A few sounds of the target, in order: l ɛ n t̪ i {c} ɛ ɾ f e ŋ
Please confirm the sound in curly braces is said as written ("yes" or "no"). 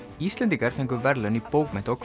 no